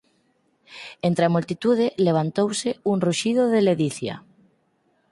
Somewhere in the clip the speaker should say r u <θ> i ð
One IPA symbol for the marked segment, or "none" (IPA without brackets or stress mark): ʃ